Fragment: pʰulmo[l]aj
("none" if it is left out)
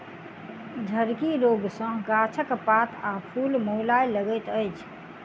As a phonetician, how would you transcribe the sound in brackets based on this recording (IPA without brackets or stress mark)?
l